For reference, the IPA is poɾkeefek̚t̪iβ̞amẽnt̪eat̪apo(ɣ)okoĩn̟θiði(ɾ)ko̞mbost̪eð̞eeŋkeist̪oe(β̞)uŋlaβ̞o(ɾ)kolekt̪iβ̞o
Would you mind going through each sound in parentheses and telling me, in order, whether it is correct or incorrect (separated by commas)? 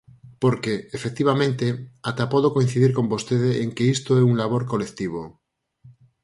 incorrect, correct, incorrect, correct